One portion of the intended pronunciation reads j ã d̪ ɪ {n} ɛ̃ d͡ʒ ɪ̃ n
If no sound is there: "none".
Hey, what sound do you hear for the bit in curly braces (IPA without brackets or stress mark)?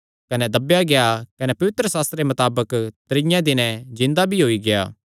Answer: n